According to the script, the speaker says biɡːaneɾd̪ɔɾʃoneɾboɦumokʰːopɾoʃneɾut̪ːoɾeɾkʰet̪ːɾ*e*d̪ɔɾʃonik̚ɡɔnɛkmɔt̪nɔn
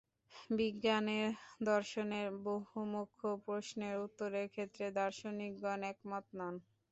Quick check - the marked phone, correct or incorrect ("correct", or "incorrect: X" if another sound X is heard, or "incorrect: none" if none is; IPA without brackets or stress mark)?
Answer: correct